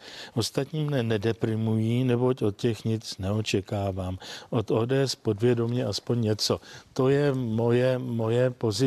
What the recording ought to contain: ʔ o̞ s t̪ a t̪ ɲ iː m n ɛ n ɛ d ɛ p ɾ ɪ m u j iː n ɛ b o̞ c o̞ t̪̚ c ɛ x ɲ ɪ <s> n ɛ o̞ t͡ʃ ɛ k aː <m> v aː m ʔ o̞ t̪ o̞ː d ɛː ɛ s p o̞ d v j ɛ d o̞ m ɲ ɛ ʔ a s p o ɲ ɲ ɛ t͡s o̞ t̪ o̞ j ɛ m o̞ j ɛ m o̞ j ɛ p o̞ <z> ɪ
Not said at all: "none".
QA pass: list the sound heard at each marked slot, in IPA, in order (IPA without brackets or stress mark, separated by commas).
t͡s, none, z